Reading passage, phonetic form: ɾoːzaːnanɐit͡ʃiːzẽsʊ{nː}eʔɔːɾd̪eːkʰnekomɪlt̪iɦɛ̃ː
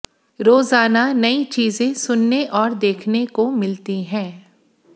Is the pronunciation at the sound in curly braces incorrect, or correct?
correct